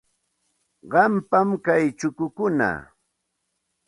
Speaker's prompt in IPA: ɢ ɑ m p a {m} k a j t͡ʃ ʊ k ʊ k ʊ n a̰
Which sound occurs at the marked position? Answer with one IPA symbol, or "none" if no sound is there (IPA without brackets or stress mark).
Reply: m